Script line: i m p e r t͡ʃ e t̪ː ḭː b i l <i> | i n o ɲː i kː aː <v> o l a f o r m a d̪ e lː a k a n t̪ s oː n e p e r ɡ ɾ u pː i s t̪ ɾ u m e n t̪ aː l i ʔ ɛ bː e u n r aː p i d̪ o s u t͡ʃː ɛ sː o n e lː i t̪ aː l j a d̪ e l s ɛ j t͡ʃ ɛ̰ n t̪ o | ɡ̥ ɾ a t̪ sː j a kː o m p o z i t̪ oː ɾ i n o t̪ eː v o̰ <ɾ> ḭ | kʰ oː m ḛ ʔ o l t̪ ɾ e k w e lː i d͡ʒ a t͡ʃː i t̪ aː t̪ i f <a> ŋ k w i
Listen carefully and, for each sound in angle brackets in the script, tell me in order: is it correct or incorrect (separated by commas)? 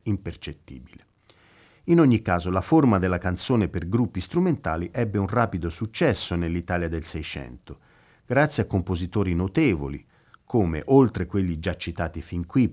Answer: incorrect, incorrect, incorrect, incorrect